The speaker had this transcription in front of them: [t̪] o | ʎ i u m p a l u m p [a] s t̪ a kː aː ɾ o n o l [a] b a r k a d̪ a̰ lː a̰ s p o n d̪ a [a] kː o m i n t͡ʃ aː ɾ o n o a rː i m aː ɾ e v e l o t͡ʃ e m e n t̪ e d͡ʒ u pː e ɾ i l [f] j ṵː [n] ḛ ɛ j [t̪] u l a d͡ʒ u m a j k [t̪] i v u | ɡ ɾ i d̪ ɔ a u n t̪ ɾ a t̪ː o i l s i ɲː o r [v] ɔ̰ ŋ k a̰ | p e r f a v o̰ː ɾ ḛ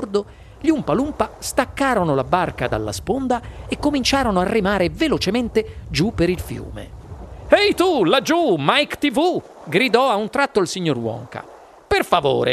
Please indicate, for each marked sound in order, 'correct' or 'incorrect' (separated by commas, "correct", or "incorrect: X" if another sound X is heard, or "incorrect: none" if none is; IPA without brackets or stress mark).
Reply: incorrect: d̪, correct, correct, incorrect: e, correct, incorrect: m, correct, correct, incorrect: w